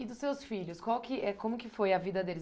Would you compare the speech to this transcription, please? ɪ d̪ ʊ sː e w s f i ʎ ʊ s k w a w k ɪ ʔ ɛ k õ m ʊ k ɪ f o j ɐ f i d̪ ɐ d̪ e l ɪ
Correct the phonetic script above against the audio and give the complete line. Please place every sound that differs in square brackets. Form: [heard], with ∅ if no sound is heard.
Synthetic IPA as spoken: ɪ d̪ ʊ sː e w s f i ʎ ʊ s k w a w k ɪ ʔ ɛ k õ m ʊ k ɪ f o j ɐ [v] i d̪ ɐ d̪ e l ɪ